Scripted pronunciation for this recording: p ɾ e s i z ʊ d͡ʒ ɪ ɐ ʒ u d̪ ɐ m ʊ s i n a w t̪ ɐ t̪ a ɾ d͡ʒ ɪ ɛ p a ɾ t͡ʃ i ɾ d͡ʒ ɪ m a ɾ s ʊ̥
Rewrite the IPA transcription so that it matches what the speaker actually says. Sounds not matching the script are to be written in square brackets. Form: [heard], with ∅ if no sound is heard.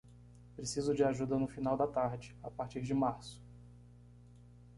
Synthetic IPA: p ɾ e s i z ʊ d͡ʒ ɪ [a] ʒ u d̪ ɐ [n] ʊ [f] i n a w [d̪] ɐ t̪ a ɾ d͡ʒ ɪ [a] p a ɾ t͡ʃ i ɾ d͡ʒ ɪ m a ɾ s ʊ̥